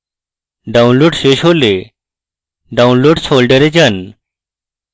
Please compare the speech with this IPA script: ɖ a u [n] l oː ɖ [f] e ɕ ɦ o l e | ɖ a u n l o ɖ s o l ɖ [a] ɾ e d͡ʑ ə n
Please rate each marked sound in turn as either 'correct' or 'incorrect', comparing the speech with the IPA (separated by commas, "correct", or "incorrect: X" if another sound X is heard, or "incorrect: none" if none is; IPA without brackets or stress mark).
correct, incorrect: ɕ, incorrect: ə